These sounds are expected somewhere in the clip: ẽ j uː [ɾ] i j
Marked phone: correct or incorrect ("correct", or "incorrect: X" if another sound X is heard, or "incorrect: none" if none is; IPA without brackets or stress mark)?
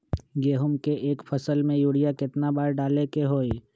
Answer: incorrect: ɽ